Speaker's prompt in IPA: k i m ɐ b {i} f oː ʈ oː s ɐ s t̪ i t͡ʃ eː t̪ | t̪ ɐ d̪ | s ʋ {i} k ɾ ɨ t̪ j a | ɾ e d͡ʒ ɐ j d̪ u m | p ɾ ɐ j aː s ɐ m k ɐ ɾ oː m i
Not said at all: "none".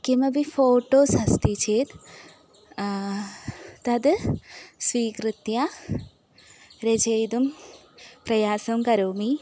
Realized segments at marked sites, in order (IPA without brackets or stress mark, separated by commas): i, iː